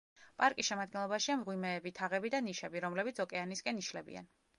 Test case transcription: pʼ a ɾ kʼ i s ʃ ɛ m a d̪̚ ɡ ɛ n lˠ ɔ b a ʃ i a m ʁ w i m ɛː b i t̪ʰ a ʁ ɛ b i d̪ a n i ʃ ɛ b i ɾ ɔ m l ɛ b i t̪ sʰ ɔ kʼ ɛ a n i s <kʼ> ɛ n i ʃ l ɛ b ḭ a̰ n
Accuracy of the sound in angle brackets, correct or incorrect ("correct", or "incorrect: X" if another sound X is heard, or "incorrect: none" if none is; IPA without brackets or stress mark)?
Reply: correct